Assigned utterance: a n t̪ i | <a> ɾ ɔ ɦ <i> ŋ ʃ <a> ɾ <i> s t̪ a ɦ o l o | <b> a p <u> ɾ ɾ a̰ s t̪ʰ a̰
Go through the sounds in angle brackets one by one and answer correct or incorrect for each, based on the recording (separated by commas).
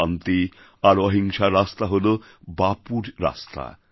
correct, correct, correct, incorrect, correct, correct